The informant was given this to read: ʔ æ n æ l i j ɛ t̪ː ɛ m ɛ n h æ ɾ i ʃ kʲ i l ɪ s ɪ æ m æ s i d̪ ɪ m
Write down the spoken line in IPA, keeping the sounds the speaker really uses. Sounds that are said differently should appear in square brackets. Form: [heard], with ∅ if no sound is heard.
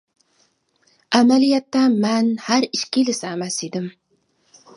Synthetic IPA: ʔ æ [m] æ l i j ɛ t̪ː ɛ m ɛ n h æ ɾ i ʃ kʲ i l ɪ s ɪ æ m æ s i d̪ ɪ m

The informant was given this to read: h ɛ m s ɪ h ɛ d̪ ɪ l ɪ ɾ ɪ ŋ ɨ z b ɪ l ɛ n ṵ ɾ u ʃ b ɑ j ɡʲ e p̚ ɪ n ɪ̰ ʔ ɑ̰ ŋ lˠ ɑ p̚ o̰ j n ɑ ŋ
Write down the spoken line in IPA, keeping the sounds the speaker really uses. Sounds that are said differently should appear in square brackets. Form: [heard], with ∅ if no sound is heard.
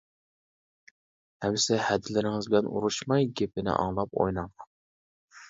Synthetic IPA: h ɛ m s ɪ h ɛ d̪ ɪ l ɪ ɾ ɪ ŋ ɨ z b ɪ l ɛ n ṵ ɾ u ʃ [m] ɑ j ɡʲ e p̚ ɪ n ɪ̰ ʔ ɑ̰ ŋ lˠ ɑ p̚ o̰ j n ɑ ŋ

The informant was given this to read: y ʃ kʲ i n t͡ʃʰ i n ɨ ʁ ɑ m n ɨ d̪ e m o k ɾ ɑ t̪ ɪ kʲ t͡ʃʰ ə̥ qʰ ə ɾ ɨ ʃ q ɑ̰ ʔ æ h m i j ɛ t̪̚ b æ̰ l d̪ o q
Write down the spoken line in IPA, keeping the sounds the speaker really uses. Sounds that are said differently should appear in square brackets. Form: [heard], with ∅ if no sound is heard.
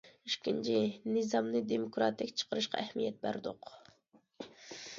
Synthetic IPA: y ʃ kʲ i n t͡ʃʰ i n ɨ [z] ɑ m n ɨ d̪ e m o k ɾ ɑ t̪ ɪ kʲ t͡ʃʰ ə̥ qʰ ə ɾ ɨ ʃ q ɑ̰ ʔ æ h m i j ɛ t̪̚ b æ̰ [ɾ] d̪ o q

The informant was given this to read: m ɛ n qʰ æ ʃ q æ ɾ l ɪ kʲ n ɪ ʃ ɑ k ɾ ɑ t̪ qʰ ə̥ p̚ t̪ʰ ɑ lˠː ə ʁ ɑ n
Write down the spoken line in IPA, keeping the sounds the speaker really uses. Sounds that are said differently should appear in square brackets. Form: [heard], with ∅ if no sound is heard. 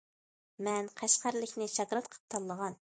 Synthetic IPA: m ɛ n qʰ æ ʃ q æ ɾ l ɪ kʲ n ɪ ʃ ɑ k ɾ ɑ t̪ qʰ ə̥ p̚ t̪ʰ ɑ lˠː ə ʁ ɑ n

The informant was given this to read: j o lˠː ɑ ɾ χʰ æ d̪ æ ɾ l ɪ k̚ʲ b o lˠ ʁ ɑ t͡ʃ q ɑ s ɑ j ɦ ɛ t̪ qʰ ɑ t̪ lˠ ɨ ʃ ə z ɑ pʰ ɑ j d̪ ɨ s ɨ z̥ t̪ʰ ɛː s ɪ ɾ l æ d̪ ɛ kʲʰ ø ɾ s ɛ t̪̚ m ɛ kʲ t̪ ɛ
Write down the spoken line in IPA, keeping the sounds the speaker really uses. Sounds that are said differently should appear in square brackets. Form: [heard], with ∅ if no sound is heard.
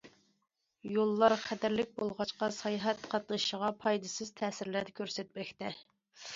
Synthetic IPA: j o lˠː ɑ ɾ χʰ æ d̪ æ ɾ l ɪ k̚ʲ b o lˠ ʁ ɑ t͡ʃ q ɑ s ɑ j ɦ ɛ t̪ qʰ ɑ t̪ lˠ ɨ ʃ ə [ʁ] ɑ pʰ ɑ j d̪ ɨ s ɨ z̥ t̪ʰ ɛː s ɪ ɾ l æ d̪ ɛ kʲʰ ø ɾ s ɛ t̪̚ m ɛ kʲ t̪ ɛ

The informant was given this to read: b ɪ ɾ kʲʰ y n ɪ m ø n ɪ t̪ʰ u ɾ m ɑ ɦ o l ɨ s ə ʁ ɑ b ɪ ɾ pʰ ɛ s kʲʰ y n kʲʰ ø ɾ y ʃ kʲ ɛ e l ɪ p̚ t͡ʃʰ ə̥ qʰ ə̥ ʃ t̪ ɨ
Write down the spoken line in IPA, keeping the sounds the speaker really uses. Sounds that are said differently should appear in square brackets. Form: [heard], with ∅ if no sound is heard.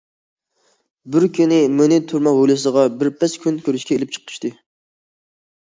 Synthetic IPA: b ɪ ɾ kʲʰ y n ɪ m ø n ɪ t̪ʰ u ɾ m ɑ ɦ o l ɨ s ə ʁ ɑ b ɪ ɾ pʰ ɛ s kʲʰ y n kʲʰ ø ɾ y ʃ kʲ ɛ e l ɪ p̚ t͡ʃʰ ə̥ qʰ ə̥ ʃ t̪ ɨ

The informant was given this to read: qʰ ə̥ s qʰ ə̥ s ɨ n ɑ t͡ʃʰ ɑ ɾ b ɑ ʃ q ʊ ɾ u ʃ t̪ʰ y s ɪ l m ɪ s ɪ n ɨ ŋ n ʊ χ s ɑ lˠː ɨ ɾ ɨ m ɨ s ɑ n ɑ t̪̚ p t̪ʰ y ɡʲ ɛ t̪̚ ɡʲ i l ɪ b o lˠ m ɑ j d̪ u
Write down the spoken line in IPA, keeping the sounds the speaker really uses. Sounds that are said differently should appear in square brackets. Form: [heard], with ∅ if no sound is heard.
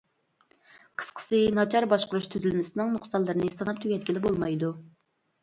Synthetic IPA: qʰ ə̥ s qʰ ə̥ s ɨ n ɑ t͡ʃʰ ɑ ɾ b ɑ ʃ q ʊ ɾ u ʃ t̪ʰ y [z] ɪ l m ɪ s ɪ n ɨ ŋ n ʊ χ s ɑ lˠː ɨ ɾ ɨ [n] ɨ s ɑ n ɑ [∅] p t̪ʰ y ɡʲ ɛ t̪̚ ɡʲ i l ɪ b o lˠ m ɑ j d̪ u

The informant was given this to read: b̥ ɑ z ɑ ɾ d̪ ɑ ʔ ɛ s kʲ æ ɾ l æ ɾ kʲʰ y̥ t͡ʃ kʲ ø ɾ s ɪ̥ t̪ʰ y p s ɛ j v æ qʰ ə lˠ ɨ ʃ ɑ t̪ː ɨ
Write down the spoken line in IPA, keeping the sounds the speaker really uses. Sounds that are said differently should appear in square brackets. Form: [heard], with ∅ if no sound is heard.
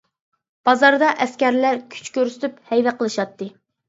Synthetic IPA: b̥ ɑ z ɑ ɾ d̪ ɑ ʔ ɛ s kʲ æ ɾ l æ ɾ kʲʰ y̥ t͡ʃ kʲ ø ɾ s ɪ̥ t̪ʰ y p [h] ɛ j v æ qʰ ə lˠ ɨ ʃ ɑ t̪ː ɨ

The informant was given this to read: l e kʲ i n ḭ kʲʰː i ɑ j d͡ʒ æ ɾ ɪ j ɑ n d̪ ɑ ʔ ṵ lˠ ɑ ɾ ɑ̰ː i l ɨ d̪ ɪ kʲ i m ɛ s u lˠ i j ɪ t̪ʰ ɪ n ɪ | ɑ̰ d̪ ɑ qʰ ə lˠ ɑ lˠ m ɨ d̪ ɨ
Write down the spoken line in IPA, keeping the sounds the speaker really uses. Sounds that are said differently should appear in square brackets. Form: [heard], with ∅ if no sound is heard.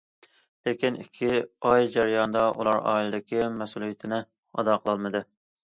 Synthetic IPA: l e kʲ i n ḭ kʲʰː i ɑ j d͡ʒ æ ɾ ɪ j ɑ n d̪ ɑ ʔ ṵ lˠ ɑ ɾ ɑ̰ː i l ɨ d̪ ɪ kʲ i m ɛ s u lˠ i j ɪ t̪ʰ ɪ n ɪ | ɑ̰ d̪ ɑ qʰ ə lˠ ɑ lˠ m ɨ d̪ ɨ

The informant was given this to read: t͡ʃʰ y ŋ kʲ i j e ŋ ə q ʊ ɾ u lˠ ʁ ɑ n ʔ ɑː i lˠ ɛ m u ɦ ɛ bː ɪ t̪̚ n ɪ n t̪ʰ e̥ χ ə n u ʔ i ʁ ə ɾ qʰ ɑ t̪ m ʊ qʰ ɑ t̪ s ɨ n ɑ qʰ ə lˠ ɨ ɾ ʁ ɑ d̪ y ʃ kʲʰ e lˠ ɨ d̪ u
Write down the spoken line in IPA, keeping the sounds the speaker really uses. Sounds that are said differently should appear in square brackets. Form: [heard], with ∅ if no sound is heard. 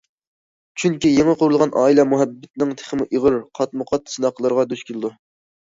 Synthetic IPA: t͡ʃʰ y ŋ kʲ i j e ŋ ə q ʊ ɾ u lˠ ʁ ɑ n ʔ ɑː i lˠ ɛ m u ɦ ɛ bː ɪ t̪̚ n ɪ [ŋ] t̪ʰ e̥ χ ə [m] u ʔ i ʁ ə ɾ qʰ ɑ t̪ m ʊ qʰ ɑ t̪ s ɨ n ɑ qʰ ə lˠ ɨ ɾ ʁ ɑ d̪ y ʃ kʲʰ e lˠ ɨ d̪ u

